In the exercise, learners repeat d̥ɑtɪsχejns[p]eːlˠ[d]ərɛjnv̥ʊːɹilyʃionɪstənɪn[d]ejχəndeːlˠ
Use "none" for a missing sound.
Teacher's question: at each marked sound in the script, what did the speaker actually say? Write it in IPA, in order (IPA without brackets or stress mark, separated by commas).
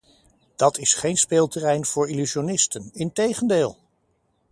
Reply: p, t, t